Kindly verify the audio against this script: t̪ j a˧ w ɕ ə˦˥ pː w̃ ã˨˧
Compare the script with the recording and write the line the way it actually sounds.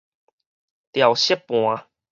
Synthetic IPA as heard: t̪ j a˨˩ w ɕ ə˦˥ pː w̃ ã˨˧